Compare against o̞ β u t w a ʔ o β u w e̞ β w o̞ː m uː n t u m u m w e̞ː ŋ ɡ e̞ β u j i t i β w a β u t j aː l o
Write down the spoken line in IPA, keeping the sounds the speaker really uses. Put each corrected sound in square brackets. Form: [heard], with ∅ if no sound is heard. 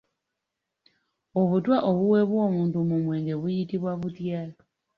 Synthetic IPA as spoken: o̞ β u t w a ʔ o β u w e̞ β w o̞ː m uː n t u m u m w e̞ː ŋ ɡ e̞ β u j i t i β w a β u t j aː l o

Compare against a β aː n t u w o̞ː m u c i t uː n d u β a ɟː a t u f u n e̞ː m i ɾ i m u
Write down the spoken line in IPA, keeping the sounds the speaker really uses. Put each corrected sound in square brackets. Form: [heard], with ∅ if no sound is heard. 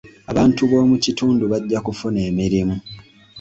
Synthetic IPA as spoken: a β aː n t u [β] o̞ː m u c i t uː n d u β a ɟː a [k] u f u n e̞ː m i ɾ i m u

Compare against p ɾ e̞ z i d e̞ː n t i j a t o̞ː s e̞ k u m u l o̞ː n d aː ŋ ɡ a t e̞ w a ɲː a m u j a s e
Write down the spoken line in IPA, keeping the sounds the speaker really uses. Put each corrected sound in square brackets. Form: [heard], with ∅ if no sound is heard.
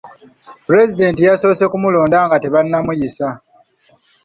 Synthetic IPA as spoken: p ɾ e̞ z i d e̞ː n t i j a [s] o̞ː s e̞ k u m u l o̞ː n d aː ŋ ɡ a t e̞ [β] a [nː] a m u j [i] s [a]

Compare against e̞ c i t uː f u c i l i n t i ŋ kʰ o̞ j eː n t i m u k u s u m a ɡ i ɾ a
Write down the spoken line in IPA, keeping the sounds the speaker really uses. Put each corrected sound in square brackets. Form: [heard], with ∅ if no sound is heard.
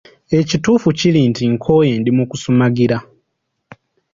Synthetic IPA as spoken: e̞ c i t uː f u c i l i n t i ŋ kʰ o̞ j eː n [d] i m u k u s u m a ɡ i ɾ a

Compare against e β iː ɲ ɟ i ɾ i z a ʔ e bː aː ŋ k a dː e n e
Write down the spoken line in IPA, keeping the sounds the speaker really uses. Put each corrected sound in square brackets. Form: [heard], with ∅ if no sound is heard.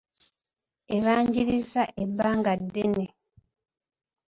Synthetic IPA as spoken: e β [aː] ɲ ɟ i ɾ i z a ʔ e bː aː ŋ [ɡ] a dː e n e

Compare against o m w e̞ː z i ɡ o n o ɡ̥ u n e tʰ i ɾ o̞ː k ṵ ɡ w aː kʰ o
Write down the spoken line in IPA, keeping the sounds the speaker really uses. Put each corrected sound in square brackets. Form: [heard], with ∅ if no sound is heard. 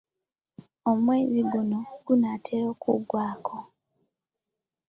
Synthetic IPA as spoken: o m w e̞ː z i ɡ [u] n o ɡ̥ u n [a] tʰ [e] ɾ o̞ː k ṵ ɡ w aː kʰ o

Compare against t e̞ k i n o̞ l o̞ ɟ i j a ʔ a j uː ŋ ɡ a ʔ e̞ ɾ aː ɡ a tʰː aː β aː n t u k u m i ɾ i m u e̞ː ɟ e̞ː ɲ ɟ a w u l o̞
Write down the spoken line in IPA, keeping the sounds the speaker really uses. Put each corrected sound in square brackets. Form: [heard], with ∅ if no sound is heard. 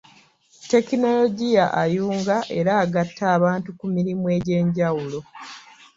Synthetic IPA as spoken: t e̞ k i n o̞ l o̞ ɟ i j a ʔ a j uː ŋ ɡ a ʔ e̞ ɾ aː ɡ a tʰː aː β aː n t u k u m i ɾ i m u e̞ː ɟ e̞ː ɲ ɟ a w u l o̞

